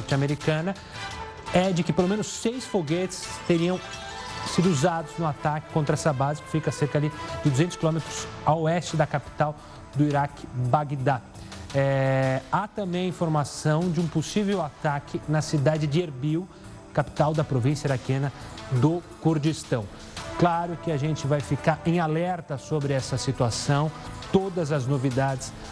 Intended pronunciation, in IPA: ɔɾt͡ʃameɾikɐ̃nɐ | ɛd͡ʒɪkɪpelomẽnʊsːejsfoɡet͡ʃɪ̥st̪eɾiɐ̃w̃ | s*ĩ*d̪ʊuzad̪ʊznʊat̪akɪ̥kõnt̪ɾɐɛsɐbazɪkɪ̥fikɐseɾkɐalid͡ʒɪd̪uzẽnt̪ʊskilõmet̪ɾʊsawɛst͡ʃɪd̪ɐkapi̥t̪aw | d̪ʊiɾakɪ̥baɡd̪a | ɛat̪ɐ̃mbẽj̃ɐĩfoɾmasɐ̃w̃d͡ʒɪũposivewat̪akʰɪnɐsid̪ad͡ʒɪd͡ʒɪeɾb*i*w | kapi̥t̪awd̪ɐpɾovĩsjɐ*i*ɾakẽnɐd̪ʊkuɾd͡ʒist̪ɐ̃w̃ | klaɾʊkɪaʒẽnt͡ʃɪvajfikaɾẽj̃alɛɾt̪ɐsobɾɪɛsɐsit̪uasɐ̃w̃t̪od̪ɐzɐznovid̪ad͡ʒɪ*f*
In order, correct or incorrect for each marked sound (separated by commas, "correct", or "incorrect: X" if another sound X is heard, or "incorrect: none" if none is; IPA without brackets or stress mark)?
incorrect: i, correct, correct, incorrect: s